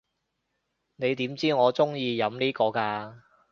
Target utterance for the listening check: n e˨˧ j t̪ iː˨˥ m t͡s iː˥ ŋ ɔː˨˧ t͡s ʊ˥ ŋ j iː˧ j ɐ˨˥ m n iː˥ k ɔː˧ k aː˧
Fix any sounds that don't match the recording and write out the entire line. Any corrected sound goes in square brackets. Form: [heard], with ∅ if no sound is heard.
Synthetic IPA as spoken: n e˨˧ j t̪ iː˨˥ m t͡s iː˥ ŋ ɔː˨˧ t͡s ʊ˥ ŋ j iː˧ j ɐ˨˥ m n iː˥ k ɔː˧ k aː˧